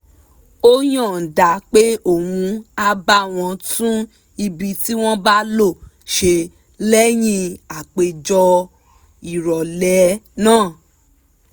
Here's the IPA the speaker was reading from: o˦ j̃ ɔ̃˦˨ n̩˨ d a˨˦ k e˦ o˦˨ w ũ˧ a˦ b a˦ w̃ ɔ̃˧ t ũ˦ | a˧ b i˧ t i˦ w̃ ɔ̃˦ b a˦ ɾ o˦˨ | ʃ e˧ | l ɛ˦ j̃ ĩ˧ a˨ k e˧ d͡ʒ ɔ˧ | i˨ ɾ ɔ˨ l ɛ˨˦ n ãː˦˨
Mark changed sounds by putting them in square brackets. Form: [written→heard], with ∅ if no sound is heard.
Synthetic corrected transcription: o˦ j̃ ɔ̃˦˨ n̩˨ d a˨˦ [k→k͡p] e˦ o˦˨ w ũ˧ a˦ b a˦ w̃ ɔ̃˧ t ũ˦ | [a˧→i˧] b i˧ t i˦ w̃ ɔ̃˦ b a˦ [ɾ→l] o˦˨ | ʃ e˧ | l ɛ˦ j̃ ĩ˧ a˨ [k→k͡p] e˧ d͡ʒ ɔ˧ | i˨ ɾ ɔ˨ l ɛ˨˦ n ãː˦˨